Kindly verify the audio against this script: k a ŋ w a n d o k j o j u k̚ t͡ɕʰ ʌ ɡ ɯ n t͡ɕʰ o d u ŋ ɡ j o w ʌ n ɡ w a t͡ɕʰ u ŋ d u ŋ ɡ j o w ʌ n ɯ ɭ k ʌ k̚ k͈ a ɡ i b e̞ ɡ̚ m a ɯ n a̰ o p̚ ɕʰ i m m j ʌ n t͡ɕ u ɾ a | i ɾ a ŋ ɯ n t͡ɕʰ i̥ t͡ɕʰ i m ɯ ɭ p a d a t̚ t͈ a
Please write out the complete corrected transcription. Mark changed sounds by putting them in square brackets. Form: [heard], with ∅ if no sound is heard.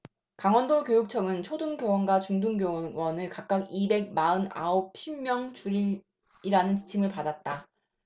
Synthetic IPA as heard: k a ŋ w [ʌ] n d o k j o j u k̚ t͡ɕʰ ʌ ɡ ɯ n t͡ɕʰ o d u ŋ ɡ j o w ʌ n ɡ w a [t͡ɕ] u ŋ d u ŋ ɡ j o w ʌ n ɯ ɭ k [a] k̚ k͈ a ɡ i b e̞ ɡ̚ m a ɯ n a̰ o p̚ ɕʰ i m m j ʌ [ŋ] t͡ɕ u ɾ [i] | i ɾ a [n] ɯ n [t͡ɕ] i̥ t͡ɕʰ i m ɯ ɭ p a d a t̚ t͈ a